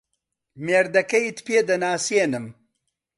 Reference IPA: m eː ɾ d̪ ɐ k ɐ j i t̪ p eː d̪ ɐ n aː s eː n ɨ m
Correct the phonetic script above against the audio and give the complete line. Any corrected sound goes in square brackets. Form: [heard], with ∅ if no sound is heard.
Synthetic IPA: m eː ɾ d̪ ɐ k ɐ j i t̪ p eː d̪ ɐ n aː s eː n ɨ m